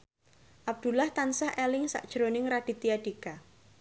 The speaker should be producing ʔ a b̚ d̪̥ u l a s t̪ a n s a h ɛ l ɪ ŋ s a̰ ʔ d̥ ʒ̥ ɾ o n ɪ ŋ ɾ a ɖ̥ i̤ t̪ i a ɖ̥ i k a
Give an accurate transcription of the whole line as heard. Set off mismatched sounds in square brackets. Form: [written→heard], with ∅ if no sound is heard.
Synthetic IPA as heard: ʔ a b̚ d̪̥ u l a [s→h] t̪ a n s a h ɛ l ɪ ŋ s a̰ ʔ d̥ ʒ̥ ɾ o n ɪ ŋ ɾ a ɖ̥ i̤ t̪ i a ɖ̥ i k a

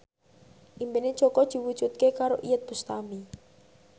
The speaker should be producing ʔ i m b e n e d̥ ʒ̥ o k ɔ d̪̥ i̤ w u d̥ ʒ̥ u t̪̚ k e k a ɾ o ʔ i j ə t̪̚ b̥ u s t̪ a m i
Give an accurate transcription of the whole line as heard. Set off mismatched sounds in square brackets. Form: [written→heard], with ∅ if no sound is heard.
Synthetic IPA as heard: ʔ i m b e n e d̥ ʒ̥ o k ɔ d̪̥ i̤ w u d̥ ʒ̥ u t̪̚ k e k a ɾ o ʔ i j ə t̪̚ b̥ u s t̪ a m i

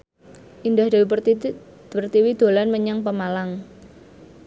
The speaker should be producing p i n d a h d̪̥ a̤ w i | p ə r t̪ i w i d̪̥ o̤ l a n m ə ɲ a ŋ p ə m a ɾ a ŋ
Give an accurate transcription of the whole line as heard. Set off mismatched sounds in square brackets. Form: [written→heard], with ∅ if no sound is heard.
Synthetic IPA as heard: [p→ʔ] i n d a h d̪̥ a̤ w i | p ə r t̪ i w i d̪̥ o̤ l a n m ə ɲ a ŋ p ə m a [ɾ→l] a ŋ

